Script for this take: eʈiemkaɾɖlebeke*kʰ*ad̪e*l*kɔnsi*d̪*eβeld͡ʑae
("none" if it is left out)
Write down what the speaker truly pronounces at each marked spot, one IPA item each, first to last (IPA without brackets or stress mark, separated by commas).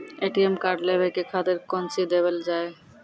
kʰ, ɾ, d̪